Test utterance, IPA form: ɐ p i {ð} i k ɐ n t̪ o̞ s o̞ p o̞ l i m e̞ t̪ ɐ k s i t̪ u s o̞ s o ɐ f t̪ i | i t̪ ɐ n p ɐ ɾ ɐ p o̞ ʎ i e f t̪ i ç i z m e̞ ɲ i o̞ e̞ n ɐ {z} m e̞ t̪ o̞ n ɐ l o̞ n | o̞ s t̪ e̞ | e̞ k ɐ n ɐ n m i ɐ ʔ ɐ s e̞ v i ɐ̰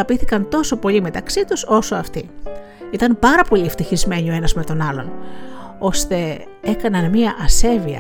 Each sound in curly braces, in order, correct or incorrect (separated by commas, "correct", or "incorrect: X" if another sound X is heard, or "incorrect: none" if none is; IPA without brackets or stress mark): incorrect: θ, correct